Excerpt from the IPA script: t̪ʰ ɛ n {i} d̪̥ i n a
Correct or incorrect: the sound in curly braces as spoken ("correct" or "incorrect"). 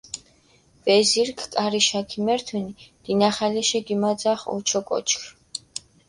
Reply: correct